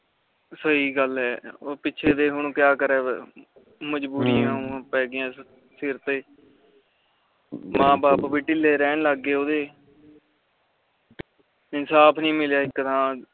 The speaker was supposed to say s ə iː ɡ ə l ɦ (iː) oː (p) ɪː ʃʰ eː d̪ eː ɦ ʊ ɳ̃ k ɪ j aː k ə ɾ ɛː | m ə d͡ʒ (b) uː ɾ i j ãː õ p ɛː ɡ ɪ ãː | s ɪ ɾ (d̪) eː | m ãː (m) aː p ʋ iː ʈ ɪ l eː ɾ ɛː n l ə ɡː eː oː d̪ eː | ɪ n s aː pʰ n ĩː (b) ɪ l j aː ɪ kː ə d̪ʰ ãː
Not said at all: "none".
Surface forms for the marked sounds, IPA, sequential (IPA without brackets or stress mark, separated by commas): ɛː, p, b, t̪, b, m